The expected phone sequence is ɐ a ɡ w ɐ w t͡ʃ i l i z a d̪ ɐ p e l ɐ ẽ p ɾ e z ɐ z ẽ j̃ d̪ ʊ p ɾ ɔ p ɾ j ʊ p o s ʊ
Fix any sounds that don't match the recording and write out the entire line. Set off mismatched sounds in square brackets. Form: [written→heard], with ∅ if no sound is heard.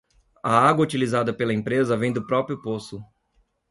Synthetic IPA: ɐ a ɡ w ɐ [w→u] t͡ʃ i l i z a d̪ ɐ p e l ɐ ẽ p ɾ e z ɐ [z→v] ẽ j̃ d̪ ʊ p ɾ ɔ p ɾ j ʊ p o s ʊ